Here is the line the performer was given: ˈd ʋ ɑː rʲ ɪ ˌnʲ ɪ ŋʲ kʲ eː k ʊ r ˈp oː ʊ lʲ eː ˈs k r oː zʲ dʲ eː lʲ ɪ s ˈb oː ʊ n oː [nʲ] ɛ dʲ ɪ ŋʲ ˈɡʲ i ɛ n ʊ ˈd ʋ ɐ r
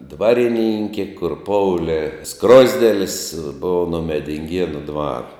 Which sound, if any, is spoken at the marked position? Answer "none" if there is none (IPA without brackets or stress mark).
mʲ